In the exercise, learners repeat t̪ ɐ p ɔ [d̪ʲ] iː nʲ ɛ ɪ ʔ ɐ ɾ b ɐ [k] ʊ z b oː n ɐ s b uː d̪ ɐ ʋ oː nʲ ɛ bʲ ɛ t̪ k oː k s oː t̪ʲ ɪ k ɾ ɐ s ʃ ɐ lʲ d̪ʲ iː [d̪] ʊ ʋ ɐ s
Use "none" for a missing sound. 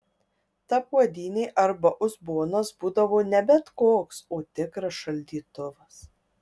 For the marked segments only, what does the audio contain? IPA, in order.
d̪ʲ, ʔ, t̪

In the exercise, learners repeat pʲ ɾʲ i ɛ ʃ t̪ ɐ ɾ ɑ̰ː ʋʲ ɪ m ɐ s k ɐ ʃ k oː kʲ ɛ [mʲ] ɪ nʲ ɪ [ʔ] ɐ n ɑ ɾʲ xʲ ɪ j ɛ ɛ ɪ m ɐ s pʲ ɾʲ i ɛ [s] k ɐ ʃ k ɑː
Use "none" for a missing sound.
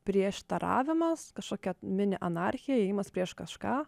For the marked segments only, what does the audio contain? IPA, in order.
mʲ, ʔ, ʃ

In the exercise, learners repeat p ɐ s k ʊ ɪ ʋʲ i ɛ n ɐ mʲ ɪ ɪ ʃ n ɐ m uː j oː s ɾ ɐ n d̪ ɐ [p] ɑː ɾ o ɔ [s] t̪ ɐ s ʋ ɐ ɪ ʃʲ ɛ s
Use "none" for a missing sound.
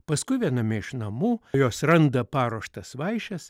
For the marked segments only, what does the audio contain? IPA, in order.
p, ʃ

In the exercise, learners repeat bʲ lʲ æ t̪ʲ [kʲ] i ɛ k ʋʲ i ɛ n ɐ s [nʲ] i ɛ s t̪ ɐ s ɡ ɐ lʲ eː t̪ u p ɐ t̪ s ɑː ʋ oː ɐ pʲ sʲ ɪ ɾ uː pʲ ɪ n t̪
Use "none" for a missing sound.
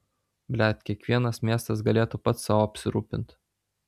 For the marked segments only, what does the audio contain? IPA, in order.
kʲ, mʲ

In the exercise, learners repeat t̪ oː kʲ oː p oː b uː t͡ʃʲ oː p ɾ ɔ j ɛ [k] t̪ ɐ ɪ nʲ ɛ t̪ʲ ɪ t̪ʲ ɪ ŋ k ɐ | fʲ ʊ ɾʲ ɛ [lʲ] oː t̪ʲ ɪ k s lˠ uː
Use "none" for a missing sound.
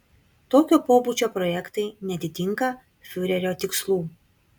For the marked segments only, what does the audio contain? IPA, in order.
k, ɾʲ

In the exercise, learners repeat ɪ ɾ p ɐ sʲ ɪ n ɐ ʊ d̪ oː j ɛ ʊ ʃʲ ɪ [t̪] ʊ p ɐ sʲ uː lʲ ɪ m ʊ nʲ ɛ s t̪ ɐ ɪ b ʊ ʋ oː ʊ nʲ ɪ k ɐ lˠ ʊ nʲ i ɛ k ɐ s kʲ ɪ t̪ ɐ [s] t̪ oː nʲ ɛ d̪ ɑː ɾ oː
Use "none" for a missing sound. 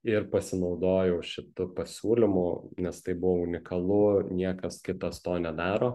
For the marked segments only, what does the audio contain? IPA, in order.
t̪, s

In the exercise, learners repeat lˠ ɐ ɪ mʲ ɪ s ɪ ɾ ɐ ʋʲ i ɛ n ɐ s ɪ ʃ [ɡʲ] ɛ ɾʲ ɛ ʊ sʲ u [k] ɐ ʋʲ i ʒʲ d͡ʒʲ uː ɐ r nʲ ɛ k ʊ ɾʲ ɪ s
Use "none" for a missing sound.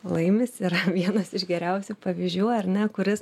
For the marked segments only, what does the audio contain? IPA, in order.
ɡʲ, p

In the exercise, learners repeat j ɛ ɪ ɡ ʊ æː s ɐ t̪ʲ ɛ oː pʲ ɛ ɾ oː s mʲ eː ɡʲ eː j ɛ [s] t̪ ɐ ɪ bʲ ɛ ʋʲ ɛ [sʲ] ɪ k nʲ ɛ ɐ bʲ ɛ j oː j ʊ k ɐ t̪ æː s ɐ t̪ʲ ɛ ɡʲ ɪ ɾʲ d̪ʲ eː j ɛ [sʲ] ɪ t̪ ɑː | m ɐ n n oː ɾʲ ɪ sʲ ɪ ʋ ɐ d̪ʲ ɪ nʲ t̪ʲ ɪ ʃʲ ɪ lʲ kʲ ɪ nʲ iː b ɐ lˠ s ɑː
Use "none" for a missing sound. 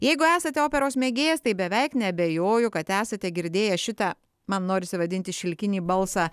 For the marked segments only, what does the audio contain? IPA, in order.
s, none, ʃʲ

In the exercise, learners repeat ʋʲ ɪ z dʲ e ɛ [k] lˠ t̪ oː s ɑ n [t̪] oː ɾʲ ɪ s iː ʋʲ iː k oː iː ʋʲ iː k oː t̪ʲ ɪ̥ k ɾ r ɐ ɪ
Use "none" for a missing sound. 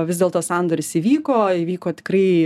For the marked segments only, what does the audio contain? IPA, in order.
none, d̪

